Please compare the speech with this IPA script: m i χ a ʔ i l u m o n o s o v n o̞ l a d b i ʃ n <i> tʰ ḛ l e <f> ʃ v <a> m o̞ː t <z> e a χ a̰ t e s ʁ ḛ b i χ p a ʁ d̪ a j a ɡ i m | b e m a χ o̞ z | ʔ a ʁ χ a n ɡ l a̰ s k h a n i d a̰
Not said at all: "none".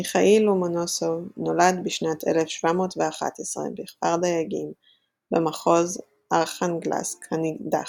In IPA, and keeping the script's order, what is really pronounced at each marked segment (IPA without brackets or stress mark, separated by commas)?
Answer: a, f, a, v